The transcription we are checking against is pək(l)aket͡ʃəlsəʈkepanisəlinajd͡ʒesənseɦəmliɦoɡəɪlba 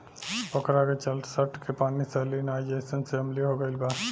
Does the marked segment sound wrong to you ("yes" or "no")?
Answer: yes